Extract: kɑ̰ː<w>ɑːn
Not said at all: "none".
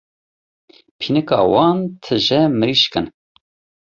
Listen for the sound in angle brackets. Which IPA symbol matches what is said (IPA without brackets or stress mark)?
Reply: w